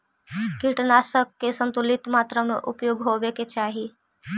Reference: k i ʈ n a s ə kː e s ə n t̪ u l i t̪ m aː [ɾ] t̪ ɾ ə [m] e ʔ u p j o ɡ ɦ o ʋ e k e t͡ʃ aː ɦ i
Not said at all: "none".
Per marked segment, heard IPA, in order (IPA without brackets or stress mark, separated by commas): none, m